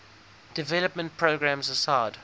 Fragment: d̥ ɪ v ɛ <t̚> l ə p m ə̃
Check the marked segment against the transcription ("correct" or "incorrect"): incorrect